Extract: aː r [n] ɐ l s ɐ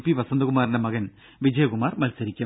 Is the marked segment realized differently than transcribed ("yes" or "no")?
yes